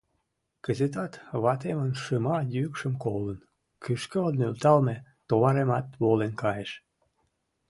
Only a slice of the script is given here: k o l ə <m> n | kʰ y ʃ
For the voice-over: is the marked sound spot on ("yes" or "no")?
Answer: no